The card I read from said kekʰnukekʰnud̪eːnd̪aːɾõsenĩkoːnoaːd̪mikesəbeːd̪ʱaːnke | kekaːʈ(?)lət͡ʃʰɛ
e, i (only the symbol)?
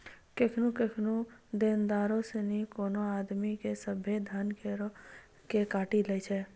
i